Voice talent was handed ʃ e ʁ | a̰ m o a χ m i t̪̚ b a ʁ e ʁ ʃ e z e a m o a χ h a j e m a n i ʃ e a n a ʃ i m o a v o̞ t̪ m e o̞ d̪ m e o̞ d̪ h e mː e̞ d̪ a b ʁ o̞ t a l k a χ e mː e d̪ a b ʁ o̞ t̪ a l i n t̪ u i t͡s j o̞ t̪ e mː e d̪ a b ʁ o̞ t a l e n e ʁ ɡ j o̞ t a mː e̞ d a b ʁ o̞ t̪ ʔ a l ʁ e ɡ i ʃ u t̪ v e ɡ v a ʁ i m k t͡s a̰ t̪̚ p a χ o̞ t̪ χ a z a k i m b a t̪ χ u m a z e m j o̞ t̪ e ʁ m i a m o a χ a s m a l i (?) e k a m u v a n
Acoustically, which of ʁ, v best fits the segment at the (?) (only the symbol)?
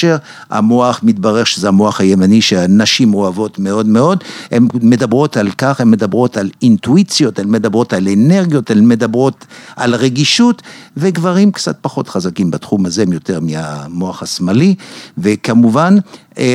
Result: v